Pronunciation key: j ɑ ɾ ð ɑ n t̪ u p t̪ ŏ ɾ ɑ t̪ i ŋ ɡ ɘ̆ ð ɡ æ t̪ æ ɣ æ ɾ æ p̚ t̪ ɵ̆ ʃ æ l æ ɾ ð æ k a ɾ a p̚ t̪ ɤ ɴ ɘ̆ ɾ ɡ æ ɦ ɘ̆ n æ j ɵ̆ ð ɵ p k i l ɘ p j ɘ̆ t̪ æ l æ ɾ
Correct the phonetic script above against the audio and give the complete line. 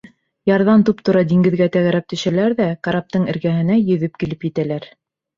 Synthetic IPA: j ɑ ɾ ð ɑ n t̪ u p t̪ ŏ ɾ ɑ d̪ i ŋ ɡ ɘ̆ ð ɡ æ t̪ æ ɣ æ ɾ æ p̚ t̪ ɵ̆ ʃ æ l æ ɾ ð æ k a ɾ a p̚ t̪ ɤ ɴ ɘ̆ ɾ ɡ æ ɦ ɘ̆ n æ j ɵ̆ ð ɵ p k i l ɘ p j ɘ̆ t̪ æ l æ ɾ